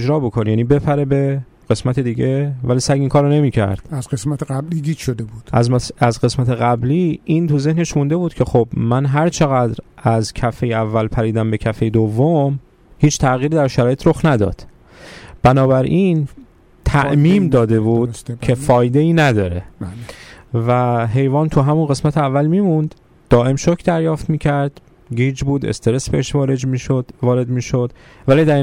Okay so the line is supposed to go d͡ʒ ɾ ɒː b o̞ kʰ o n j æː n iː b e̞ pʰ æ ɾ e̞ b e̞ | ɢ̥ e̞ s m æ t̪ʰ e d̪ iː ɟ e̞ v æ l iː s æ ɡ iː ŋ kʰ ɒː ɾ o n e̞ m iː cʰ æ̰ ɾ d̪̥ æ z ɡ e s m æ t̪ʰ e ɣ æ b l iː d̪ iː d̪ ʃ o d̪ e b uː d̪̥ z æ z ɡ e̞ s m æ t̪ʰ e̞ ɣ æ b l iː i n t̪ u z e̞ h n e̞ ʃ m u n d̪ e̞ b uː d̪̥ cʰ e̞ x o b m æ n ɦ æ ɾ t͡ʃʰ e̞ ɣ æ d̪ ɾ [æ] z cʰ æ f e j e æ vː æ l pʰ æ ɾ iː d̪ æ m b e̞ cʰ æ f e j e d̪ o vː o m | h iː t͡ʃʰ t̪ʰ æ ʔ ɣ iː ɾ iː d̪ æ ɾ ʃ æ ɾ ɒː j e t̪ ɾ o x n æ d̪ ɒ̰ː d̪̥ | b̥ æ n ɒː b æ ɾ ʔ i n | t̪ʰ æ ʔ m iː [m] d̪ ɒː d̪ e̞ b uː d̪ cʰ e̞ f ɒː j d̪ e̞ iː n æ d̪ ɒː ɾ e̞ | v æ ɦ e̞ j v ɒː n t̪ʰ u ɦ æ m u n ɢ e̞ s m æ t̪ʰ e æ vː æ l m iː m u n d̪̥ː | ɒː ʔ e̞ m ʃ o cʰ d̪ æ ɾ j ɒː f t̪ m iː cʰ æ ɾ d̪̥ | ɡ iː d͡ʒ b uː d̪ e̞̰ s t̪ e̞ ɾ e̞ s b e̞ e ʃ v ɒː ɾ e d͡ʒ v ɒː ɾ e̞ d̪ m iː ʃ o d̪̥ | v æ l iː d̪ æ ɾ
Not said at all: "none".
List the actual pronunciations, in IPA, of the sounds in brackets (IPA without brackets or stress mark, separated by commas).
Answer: æ, m